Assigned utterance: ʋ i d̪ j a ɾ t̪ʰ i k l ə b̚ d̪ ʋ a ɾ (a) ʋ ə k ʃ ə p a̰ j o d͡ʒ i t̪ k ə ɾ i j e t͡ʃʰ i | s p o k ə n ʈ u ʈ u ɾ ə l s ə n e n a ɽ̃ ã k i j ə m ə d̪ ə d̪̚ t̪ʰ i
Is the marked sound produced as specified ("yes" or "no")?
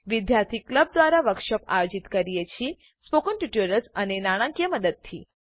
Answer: yes